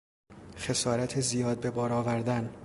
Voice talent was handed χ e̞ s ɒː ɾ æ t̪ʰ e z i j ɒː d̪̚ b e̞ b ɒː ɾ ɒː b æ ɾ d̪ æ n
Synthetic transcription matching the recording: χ e̞ s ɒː ɾ æ t̪ʰ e z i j ɒː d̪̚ b e̞ b ɒː ɾ ɒː v æ ɾ d̪ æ n